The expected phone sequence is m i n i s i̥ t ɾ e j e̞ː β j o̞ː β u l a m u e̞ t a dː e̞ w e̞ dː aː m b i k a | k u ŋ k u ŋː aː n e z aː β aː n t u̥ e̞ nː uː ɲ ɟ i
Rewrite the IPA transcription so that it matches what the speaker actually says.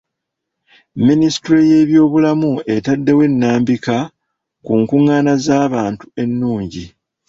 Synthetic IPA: m i n i s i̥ t ɾ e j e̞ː β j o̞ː β u l a m u e̞ t a dː e̞ w e̞ nː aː m b i k a | k u ŋ k u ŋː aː n a z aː β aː n t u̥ e̞ nː uː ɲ ɟ i

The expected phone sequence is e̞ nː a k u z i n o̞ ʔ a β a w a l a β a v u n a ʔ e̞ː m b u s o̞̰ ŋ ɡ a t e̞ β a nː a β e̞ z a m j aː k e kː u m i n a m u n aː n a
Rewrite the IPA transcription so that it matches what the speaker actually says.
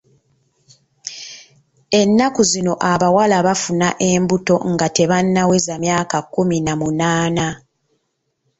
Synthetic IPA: e̞ nː a k u z i n o̞ ʔ a β a w a l a β a f u n a ʔ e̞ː m b u t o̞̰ ŋ ɡ a t e̞ β a nː a w e̞ z a m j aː k a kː u m i n a m u n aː n a

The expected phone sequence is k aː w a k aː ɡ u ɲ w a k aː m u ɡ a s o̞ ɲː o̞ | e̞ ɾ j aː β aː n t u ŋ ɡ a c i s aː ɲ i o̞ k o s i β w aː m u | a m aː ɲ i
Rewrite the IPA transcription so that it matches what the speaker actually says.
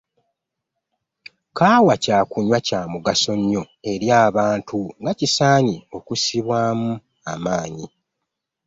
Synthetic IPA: k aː w a c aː k u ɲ w a c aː m u ɡ a s o̞ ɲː o̞ | e̞ ɾ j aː β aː n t u ŋ ɡ a c i s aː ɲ i o̞ k u s i β w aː m u | a m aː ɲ i

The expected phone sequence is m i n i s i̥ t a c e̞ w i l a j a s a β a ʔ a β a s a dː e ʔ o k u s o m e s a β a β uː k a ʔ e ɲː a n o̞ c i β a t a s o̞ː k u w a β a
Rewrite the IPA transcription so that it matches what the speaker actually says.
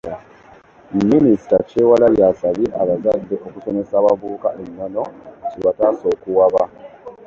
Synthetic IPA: m i n i s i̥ t a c e̞ w a l a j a s a β i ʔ a β a z a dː e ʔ o k u s o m e s a β a β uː k a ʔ e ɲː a n o̞ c i β a t a s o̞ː k u w a β a

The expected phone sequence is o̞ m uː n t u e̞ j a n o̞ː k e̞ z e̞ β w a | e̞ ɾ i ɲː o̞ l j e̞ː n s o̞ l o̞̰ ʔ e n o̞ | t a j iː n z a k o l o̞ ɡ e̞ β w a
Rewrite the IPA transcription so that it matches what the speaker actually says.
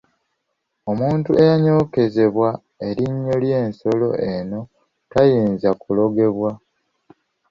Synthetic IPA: o̞ m uː n t u e̞ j a ɲ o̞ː k e̞ z e̞ β w a | e̞ ɾ i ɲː o̞ l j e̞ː n s o̞ l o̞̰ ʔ e n o̞ | t a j iː n z a k u l o̞ ɡ e̞ β w a

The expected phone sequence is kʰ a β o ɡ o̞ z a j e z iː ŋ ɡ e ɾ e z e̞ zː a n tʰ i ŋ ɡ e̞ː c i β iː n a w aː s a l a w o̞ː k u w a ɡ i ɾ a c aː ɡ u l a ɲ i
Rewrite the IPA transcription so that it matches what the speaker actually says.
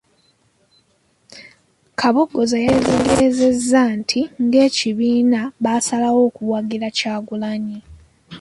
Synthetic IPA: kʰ a β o ɡ o̞ z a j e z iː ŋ ɡ e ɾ e z e̞ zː a n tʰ i ŋ ɡ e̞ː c i β iː n a β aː s a l a w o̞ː k u w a ɡ i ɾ a c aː ɡ u l a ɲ i

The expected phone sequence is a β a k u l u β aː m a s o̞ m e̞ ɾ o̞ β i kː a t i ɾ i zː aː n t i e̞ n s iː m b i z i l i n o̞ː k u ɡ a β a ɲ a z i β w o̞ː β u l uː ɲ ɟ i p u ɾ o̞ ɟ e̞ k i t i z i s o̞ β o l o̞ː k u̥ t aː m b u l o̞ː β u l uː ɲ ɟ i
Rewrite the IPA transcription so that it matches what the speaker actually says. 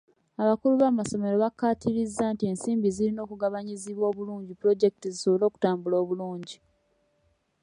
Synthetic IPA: a β a k u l u β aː m a s o̞ m e̞ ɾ o̞ β a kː a t i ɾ i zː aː n t i e̞ n s iː m b i z i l i n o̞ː k u ɡ a β a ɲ i z i β w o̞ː β u l uː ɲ ɟ i p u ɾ o̞ ɟ e̞ k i t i z i s o̞ β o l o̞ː k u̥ t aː m b u l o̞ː β u l uː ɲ ɟ i

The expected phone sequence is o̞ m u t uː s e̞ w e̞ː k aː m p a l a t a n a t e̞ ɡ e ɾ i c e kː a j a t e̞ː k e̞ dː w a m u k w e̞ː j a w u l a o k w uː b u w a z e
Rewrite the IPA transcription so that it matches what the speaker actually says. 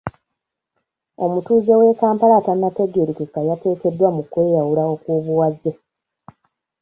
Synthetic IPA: o̞ m u t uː z e̞ w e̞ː k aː m p a l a t a n a t e̞ ɡ e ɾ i k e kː a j a t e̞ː k e̞ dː w a m u k w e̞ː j a w u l a o k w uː β u w a z e

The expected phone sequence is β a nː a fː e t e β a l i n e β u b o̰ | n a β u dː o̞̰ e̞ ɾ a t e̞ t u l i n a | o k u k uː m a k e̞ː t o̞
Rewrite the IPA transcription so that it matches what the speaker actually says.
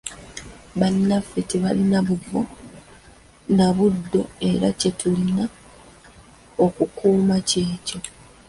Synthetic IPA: β a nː a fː e t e β a l i n a β u v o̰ | n a β u dː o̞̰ e̞ ɾ a c e̞ t u l i n a | o k u k uː m a c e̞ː c o̞

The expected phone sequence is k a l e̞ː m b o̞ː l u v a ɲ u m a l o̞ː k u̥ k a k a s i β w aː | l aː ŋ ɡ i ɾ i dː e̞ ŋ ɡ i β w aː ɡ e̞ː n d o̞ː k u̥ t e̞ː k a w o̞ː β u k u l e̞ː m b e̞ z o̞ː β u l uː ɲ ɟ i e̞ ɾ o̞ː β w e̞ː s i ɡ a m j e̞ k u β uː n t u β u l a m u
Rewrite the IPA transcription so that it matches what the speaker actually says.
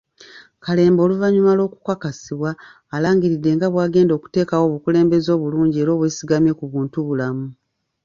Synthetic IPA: k a l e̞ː m b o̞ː l u v a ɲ u m a l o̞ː k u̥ k a k a s i β w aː | l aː ŋ ɡ i ɾ i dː e̞ ŋ ɡ a β w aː ɡ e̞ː n d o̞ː k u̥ t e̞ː k a w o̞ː β u k u l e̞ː m b e̞ z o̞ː β u l uː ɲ ɟ i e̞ ɾ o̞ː β w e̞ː s i ɡ a m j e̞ k u β uː n t u β u l a m u

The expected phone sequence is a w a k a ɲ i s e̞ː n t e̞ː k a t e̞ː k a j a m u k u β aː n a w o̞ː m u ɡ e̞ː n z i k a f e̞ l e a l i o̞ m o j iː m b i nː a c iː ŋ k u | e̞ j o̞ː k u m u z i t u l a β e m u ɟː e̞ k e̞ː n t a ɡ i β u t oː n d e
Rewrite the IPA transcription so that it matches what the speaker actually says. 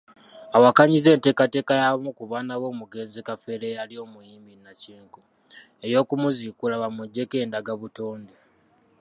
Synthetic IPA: a w a k a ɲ i z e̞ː n t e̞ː k a t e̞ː k a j a m u k u β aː n a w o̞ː m u ɡ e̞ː n z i k a f e̞ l e a l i o̞ m u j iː m b i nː a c iː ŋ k u | e̞ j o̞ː k u m u z i k u l a β a m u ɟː e̞ k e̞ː n d a ɡ a β u t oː n d e

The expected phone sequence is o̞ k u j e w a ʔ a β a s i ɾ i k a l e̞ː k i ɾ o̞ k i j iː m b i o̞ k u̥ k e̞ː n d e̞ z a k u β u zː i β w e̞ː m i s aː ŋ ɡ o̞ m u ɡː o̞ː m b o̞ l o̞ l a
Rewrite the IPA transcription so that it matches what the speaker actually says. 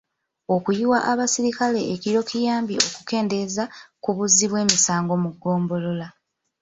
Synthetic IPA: o̞ k u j i w a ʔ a β a s i ɾ i k a l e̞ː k i ɾ o̞ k i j aː m b i o̞ k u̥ k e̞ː n d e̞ z a k u β u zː i β w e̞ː m i s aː ŋ ɡ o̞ m u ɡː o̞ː m b o̞ l o̞ l a

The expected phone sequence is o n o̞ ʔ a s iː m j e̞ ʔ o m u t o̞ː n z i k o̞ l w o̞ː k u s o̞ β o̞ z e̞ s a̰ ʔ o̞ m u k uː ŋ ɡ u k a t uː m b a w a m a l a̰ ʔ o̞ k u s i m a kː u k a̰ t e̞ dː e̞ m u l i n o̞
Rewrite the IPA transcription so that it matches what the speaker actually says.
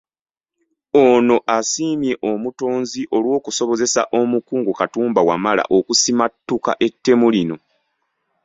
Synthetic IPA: o n o̞ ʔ a s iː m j e̞ ʔ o m u t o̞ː n z i ʔ o̞ l w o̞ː k u s o̞ β o̞ z e̞ s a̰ ʔ o̞ m u k uː ŋ ɡ u k a t uː m b a w a m a l a̰ ʔ o̞ k u s i m a tː u k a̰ ʔ e̞ tː e̞ m u l i n o̞

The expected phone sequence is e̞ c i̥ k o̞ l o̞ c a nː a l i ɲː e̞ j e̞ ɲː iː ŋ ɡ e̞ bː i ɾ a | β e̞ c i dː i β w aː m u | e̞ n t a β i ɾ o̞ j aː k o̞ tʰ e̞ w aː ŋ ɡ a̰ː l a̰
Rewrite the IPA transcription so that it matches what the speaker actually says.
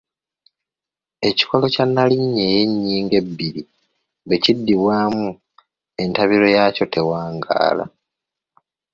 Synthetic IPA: e̞ c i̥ k o̞ l o̞ c a nː a l i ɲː e̞ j e̞ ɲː iː ŋ ɡ e̞ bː i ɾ i | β e̞ c i dː i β w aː m u | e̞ n t a β i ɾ o̞ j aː c o̞ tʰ e̞ w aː ŋ ɡ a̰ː l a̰

